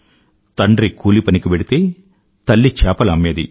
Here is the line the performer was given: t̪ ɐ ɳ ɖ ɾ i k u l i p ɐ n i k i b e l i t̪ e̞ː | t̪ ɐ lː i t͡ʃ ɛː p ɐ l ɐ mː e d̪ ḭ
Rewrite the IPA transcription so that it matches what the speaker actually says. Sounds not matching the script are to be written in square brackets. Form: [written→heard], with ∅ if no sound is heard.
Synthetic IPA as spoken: t̪ ɐ ɳ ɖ ɾ i k [u→uː] l i p ɐ n i k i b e [l→ɽ] i t̪ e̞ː | t̪ ɐ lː i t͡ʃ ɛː p ɐ l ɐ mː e d̪ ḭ